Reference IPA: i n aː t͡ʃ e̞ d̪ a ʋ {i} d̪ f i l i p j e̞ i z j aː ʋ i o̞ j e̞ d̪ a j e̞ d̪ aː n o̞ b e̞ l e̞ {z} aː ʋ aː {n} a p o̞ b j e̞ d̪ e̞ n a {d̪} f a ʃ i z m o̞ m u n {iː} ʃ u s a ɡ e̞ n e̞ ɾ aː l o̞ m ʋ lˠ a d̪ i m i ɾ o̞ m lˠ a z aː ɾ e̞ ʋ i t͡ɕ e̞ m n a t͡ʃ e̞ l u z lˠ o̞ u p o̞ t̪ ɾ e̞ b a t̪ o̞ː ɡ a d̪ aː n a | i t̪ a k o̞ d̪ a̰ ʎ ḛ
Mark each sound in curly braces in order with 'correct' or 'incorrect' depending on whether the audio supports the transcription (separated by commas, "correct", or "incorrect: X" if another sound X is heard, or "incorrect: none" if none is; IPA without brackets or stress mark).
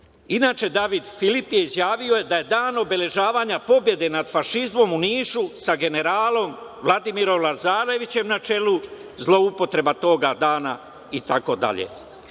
correct, incorrect: ʒ, incorrect: ɲ, correct, correct